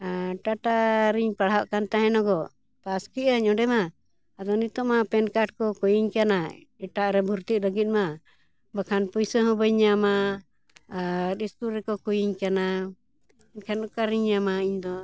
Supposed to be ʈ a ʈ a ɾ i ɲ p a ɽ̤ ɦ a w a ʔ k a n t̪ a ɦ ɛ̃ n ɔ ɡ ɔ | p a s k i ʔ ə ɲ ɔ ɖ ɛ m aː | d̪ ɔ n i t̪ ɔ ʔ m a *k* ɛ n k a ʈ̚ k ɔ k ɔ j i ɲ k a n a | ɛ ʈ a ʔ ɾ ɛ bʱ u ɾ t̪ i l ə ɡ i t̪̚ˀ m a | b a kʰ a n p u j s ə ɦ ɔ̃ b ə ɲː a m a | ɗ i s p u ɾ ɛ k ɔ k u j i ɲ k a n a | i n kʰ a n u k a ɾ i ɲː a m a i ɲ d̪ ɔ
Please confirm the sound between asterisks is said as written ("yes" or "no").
no